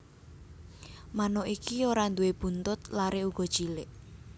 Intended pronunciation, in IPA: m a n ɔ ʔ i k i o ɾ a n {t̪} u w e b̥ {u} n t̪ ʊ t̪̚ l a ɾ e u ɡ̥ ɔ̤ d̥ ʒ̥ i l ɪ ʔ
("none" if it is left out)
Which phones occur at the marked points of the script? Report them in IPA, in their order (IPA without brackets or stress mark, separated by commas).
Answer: d̪, u